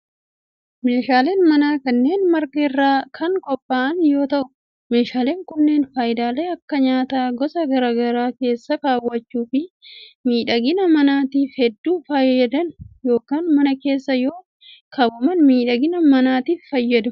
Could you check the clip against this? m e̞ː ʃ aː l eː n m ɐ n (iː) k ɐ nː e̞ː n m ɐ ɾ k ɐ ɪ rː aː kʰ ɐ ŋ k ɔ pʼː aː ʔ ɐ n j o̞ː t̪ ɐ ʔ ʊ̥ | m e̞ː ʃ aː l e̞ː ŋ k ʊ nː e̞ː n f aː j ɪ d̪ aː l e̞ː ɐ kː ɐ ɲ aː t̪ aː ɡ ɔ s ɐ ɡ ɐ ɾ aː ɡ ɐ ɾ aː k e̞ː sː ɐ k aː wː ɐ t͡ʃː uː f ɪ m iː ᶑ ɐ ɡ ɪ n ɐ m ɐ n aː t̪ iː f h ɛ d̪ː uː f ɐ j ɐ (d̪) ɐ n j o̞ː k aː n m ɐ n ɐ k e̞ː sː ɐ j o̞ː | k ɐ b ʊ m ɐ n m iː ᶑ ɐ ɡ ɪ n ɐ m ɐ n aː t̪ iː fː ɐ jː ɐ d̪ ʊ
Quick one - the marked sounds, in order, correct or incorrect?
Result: incorrect, correct

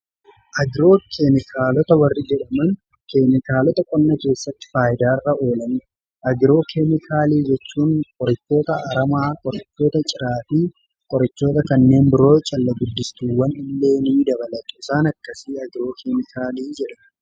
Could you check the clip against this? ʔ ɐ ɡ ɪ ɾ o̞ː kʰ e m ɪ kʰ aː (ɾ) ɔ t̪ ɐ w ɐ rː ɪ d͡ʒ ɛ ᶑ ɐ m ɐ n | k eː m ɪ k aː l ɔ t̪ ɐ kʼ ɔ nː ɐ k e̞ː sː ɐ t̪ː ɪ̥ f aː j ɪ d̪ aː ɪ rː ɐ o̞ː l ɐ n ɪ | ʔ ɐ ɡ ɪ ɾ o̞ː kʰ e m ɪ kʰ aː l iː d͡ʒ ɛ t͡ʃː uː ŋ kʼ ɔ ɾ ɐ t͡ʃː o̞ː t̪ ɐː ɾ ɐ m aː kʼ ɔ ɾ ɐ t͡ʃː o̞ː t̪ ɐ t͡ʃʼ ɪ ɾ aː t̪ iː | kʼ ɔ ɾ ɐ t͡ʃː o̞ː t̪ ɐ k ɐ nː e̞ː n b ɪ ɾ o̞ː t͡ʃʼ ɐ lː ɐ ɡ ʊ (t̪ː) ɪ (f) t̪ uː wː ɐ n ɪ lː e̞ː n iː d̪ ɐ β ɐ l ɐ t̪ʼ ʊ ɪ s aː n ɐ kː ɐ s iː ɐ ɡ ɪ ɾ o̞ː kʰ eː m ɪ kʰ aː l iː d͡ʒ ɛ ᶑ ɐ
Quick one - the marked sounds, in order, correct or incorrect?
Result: incorrect, incorrect, incorrect

